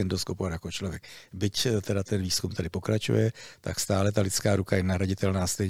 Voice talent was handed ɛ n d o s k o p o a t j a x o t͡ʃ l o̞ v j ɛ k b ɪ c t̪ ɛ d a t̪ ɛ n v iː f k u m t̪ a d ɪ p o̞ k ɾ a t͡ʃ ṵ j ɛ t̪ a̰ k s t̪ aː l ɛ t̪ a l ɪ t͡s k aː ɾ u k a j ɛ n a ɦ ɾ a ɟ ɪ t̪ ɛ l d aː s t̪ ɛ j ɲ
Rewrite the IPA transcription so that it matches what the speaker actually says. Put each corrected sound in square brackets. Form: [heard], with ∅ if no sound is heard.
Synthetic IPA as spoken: ɛ n d o s k o p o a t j a [k] o t͡ʃ l o̞ v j ɛ k b ɪ c t̪ ɛ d a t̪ ɛ n v iː [s] k u m t̪ a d ɪ p o̞ k ɾ a t͡ʃ ṵ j ɛ t̪ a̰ k s t̪ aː l ɛ t̪ a l ɪ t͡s k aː ɾ u k a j ɛ n a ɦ ɾ a ɟ ɪ t̪ ɛ l [n] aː s t̪ ɛ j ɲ